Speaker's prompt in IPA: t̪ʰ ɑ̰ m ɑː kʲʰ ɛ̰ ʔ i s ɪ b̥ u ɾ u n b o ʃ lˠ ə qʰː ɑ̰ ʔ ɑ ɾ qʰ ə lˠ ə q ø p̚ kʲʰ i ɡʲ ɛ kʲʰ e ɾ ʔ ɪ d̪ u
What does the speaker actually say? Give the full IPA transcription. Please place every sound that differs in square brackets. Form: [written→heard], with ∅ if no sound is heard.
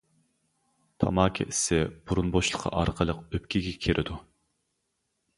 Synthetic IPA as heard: t̪ʰ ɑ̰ m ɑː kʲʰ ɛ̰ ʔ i s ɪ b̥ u ɾ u n b o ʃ lˠ ə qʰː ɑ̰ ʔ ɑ ɾ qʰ ə lˠ ə q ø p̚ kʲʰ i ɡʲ ɛ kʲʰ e ɾ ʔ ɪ d̪ u

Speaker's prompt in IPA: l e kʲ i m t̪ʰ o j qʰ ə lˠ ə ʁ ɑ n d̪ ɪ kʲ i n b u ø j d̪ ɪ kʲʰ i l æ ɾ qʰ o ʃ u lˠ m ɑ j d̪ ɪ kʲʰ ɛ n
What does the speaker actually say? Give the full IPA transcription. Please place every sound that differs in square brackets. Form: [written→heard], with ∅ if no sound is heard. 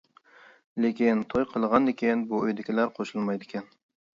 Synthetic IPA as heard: l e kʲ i [m→n] t̪ʰ o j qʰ ə lˠ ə ʁ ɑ n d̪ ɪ kʲ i n b u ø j d̪ ɪ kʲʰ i l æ ɾ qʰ o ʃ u lˠ m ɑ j d̪ ɪ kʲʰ ɛ n

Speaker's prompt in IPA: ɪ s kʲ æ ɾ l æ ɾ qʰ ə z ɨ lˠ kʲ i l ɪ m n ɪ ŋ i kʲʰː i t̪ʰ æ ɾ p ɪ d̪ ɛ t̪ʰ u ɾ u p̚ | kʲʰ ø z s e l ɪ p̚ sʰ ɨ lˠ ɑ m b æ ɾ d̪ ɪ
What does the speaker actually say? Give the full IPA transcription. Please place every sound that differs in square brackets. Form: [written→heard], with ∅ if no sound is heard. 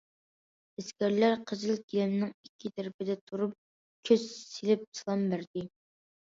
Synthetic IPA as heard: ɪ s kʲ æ ɾ l æ ɾ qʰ ə z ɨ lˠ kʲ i l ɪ m n ɪ ŋ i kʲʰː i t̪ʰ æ ɾ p ɪ d̪ ɛ t̪ʰ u ɾ u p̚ | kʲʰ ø z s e l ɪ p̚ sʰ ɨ lˠ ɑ m b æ ɾ d̪ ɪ

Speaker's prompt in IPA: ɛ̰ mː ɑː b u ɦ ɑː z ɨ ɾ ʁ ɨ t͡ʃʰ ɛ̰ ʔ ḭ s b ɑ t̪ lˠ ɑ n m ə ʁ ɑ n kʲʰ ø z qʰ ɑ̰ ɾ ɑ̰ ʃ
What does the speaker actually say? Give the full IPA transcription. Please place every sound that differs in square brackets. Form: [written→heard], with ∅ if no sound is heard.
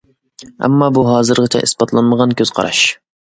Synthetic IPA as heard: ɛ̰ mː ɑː b u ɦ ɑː z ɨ ɾ ʁ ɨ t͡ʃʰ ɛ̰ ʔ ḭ s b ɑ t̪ lˠ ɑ n m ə ʁ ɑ n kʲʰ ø z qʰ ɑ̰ ɾ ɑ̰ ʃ

